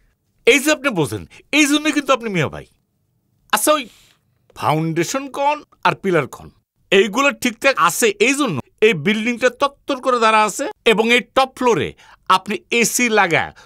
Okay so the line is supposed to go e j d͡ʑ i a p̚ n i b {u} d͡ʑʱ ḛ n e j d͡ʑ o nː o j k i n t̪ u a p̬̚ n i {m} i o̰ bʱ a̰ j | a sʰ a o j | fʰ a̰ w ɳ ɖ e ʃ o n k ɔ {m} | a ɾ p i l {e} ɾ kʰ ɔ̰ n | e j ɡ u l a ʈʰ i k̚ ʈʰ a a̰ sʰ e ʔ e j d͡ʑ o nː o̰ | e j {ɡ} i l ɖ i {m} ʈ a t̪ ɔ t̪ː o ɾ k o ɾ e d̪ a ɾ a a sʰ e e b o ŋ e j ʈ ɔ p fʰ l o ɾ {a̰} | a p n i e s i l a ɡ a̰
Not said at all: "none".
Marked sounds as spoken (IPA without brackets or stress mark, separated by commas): o, m, n, a, b, ŋ, ḛ